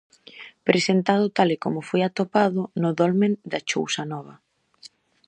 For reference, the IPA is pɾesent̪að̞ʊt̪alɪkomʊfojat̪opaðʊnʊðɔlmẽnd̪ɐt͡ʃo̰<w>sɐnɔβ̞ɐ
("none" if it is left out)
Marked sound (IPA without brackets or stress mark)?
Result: w